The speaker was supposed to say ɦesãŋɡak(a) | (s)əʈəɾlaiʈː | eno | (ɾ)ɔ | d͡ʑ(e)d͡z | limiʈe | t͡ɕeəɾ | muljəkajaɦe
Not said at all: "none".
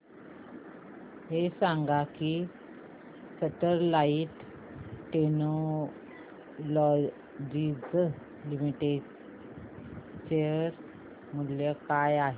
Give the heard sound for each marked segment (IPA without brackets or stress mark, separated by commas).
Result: i, s, l, i